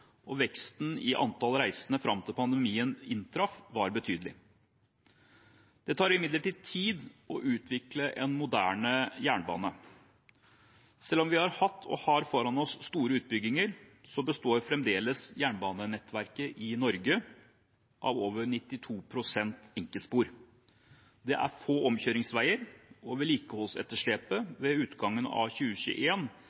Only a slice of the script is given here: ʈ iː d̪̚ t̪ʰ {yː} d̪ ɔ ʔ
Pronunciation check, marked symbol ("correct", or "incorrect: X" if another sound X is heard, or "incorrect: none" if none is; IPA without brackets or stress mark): incorrect: iː